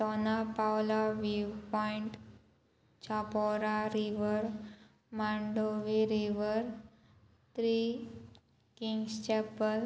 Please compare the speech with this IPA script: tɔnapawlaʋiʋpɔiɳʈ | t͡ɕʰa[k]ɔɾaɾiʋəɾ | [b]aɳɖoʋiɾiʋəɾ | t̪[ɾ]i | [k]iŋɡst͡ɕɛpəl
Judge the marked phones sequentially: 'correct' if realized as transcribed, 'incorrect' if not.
incorrect, incorrect, correct, correct

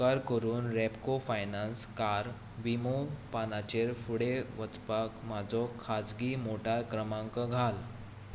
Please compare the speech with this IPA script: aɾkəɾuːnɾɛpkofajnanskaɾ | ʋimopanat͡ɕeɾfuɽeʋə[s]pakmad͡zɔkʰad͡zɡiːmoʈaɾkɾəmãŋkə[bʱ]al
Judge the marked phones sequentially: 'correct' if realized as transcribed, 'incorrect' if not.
incorrect, incorrect

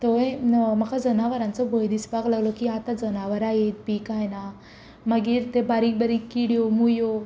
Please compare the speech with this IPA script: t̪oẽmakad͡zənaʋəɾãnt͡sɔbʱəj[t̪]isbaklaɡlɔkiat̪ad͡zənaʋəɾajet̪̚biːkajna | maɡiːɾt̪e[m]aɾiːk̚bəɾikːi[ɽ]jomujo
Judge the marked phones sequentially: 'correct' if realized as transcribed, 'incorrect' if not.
incorrect, incorrect, correct

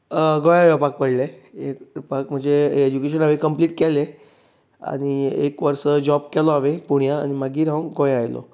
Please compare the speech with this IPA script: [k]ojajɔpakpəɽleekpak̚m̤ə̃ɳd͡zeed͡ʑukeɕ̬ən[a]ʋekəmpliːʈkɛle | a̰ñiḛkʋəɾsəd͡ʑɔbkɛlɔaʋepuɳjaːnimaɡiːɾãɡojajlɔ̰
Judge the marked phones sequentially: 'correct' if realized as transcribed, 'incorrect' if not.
incorrect, correct

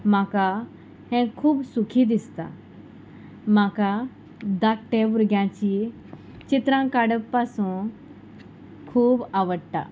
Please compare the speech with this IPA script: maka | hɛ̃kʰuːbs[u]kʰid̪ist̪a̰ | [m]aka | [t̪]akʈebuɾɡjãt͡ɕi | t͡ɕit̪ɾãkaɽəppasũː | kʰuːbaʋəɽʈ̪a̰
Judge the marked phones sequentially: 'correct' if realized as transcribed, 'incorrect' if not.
correct, correct, incorrect

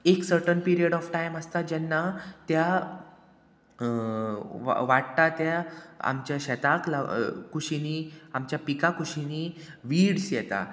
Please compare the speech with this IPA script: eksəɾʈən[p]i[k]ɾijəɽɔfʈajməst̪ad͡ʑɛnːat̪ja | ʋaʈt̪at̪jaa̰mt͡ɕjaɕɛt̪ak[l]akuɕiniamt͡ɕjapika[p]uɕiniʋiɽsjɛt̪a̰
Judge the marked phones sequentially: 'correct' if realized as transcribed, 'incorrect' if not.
correct, incorrect, correct, incorrect

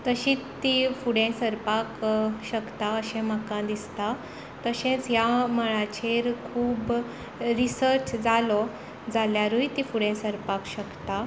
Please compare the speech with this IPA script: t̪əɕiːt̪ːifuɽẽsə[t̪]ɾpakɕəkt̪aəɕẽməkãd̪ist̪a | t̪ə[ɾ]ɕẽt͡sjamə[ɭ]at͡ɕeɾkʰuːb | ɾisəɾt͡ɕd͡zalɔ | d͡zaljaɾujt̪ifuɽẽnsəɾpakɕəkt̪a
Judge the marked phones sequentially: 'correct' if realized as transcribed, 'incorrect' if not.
incorrect, incorrect, correct

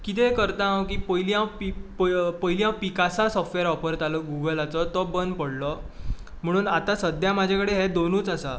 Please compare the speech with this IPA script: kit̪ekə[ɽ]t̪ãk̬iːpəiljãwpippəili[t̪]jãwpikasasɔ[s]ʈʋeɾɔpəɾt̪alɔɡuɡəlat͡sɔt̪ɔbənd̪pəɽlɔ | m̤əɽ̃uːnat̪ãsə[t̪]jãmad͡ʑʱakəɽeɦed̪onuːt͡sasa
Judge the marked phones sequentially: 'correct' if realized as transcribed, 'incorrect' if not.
incorrect, incorrect, incorrect, incorrect

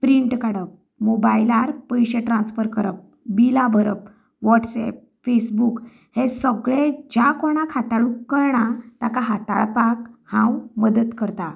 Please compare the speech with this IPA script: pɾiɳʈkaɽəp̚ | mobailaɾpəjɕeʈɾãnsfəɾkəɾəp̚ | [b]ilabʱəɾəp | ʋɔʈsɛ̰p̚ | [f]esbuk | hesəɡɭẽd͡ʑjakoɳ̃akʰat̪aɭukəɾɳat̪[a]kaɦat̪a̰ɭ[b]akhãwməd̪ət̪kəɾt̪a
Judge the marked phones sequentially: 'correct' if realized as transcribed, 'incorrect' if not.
correct, correct, correct, incorrect

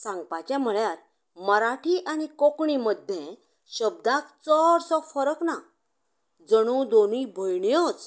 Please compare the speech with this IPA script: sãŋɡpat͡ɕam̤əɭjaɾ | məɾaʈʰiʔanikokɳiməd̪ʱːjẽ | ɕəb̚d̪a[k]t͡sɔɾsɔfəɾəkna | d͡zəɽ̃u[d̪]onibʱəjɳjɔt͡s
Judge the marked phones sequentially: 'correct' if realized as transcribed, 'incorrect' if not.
correct, correct

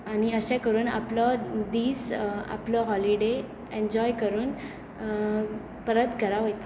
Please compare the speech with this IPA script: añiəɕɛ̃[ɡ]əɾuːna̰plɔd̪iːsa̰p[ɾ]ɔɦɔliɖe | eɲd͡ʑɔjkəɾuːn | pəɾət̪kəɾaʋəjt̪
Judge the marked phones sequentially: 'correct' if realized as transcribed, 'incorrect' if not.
incorrect, incorrect

